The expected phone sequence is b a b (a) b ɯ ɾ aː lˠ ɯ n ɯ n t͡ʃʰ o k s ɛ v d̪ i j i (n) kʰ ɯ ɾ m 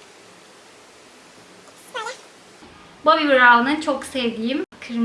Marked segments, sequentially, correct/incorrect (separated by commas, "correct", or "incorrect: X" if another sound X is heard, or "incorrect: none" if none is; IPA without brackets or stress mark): incorrect: i, incorrect: m